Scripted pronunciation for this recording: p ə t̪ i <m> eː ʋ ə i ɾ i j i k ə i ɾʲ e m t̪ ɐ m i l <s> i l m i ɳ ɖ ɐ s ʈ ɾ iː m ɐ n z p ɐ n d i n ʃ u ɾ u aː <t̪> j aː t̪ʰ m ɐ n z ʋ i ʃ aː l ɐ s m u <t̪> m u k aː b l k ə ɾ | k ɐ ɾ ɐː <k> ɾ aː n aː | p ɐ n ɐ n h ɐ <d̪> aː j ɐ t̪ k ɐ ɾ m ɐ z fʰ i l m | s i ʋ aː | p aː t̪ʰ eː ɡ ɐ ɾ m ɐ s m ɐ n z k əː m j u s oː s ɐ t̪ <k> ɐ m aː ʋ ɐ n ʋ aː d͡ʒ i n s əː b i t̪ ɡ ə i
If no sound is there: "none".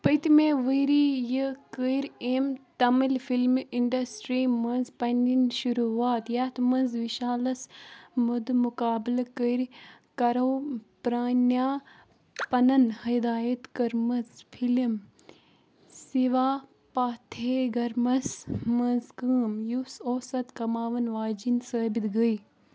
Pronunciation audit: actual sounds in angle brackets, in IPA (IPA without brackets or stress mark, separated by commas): m, f, t̪, d̪, p, d̪, k